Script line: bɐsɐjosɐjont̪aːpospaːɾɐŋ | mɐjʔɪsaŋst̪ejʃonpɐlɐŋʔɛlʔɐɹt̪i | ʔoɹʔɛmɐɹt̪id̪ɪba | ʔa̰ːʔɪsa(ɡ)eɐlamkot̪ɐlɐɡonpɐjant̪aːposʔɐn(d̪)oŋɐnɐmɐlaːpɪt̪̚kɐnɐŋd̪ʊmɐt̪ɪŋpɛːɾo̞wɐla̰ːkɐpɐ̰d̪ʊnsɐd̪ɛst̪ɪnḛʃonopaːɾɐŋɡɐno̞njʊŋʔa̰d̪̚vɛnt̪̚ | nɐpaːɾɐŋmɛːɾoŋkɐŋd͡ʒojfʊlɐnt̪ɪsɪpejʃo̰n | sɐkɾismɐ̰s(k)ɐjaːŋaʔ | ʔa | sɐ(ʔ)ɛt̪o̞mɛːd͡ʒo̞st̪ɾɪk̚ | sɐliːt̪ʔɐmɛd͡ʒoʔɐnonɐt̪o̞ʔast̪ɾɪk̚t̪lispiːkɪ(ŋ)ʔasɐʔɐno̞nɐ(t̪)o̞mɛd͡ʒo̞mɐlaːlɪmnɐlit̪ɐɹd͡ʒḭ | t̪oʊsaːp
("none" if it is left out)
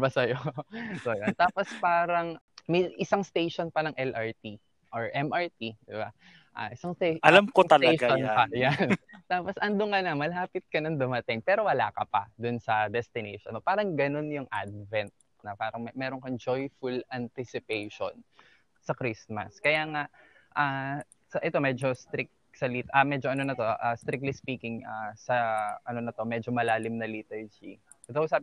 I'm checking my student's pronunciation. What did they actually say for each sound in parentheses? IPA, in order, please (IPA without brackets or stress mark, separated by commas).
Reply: ŋ, d̪, k, ʔ, ŋ, t̪